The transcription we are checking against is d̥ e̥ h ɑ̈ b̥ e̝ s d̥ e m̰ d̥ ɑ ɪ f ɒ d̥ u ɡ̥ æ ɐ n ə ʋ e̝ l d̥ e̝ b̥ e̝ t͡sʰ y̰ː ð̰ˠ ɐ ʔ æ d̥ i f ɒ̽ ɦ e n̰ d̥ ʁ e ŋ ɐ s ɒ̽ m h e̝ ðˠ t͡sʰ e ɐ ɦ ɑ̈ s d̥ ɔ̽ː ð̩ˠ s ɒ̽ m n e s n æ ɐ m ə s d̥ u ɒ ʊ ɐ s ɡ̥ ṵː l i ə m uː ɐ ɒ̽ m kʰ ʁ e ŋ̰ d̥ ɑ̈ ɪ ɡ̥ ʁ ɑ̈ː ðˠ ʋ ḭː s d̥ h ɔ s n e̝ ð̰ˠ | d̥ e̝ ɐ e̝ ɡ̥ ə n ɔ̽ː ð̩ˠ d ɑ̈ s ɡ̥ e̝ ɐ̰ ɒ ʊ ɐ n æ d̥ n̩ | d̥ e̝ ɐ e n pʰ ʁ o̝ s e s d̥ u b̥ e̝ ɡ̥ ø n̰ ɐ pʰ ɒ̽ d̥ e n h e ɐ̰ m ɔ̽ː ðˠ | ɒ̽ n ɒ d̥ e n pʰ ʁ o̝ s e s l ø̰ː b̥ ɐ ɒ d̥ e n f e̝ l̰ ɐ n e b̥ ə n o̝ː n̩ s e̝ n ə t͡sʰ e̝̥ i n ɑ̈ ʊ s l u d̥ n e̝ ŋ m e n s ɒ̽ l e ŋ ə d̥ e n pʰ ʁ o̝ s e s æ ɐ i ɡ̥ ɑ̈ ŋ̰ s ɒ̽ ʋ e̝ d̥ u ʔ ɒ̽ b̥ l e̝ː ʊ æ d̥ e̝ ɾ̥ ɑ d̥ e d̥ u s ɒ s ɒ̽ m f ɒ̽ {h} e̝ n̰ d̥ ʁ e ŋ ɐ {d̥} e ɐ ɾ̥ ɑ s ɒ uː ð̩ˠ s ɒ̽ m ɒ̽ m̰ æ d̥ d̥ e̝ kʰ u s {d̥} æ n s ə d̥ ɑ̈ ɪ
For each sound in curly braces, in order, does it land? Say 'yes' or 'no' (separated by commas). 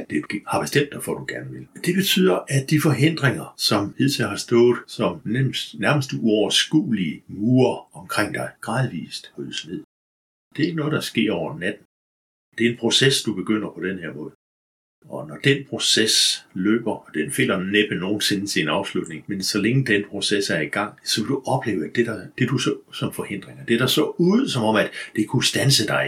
yes, yes, yes